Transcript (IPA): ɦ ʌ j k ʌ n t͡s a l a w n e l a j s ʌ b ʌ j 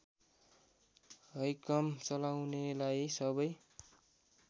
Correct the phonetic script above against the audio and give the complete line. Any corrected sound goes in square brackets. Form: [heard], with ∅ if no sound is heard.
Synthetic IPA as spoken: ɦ ʌ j k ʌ [m] t͡s [ʌ] l a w n e l a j s ʌ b ʌ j

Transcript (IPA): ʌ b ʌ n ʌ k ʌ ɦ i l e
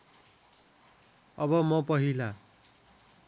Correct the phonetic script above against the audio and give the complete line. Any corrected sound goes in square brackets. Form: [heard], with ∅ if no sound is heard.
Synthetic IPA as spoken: ʌ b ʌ [m] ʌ [p] ʌ ɦ i l [a]

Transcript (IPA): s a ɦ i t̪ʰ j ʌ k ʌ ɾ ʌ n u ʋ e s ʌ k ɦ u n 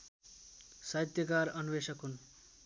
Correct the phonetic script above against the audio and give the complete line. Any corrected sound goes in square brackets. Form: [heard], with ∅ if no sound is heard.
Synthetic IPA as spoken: s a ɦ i [t̪] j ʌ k [a] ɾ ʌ n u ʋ e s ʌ k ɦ u n

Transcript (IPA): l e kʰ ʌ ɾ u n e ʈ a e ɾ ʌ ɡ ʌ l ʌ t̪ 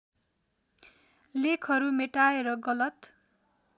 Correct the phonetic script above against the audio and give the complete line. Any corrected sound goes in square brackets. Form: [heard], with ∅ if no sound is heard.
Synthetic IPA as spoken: l e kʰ ʌ ɾ u [m] e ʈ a e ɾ ʌ ɡ ʌ l ʌ t̪

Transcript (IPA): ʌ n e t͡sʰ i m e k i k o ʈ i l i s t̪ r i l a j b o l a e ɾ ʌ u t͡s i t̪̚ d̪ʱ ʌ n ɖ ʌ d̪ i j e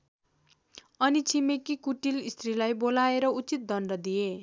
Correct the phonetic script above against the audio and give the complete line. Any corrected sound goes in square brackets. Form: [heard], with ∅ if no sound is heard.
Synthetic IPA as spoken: ʌ n [i] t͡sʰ i m e k i k [u] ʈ i l i s t̪ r i l a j b o l a e ɾ ʌ u t͡s i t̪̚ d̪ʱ ʌ n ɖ ʌ d̪ i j e

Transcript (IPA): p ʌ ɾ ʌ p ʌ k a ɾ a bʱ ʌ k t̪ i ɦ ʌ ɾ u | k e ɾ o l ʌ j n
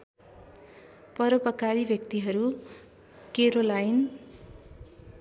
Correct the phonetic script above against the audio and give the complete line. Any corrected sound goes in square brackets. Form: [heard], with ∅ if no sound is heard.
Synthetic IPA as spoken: p ʌ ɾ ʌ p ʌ k a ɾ [i] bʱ ʌ k t̪ i ɦ ʌ ɾ u | k e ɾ o l [a] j n

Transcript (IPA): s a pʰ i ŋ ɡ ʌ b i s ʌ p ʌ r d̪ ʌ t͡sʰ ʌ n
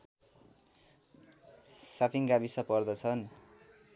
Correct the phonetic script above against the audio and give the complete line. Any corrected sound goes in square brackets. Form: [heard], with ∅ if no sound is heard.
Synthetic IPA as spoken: s a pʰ i ŋ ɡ [a] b i s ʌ p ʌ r d̪ ʌ t͡sʰ ʌ n

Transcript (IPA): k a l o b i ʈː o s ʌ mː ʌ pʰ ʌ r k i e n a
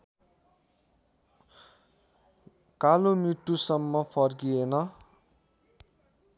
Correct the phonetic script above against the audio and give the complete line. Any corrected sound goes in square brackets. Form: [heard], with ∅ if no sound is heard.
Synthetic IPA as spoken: k a l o [m] i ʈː [u] s ʌ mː ʌ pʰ ʌ r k i e n [ʌ]

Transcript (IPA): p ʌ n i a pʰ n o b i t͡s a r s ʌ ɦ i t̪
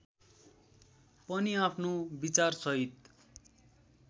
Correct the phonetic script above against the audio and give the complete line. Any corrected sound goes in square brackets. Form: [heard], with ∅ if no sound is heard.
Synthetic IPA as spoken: p ʌ n i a pʰ n o b i t͡s a r s ʌ ɦ i t̪

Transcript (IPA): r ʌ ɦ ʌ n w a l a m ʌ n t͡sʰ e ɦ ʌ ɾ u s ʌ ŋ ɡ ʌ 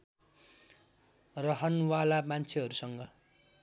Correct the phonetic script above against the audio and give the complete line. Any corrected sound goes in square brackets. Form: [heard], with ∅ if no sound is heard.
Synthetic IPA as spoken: r ʌ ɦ ʌ n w a l a m [a] n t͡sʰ e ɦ ʌ ɾ u s ʌ ŋ ɡ ʌ

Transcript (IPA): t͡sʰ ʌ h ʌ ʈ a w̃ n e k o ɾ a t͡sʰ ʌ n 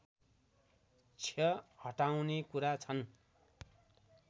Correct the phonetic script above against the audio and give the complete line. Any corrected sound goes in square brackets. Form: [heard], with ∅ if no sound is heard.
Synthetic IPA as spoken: t͡sʰ ʌ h ʌ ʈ a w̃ n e k [u] ɾ a t͡sʰ ʌ n

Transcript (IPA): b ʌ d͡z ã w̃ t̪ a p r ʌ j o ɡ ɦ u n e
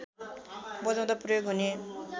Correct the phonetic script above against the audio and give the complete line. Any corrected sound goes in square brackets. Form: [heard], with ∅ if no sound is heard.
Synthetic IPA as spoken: b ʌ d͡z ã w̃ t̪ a p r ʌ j o ɡ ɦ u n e

